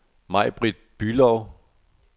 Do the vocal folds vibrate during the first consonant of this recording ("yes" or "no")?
yes